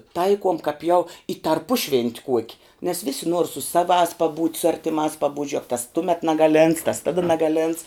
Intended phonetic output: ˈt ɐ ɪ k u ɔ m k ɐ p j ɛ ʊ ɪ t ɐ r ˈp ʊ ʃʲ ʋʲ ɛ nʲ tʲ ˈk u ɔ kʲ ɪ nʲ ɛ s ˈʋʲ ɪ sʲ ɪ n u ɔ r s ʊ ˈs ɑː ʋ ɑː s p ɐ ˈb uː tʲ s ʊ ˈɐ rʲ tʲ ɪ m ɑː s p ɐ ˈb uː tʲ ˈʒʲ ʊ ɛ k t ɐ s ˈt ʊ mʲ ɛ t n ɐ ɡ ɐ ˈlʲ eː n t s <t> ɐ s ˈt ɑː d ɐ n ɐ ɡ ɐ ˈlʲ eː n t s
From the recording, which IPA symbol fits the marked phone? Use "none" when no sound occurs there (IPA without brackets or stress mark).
t